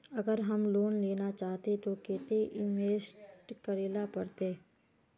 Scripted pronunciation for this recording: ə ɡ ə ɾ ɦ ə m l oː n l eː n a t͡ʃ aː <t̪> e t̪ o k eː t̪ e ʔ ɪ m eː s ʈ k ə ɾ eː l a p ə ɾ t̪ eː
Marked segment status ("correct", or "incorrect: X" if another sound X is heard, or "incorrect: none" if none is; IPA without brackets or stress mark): correct